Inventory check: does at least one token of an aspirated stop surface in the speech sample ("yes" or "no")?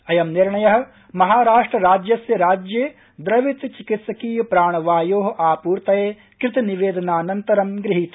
no